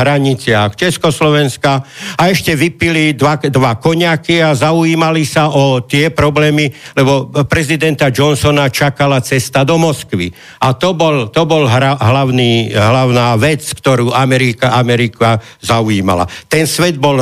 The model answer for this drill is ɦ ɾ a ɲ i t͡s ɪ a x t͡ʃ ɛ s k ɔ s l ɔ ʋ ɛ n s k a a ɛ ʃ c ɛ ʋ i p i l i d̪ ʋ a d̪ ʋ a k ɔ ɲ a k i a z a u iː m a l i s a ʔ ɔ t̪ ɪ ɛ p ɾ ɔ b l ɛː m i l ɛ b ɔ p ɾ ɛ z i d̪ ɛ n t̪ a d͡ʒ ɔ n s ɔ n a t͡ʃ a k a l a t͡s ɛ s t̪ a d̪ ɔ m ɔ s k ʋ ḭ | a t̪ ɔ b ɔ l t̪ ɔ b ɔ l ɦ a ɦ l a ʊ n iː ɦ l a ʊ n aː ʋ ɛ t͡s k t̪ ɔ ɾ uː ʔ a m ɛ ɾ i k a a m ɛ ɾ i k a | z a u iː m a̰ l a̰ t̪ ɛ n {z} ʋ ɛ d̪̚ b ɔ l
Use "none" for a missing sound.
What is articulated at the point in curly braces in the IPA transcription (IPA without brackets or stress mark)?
s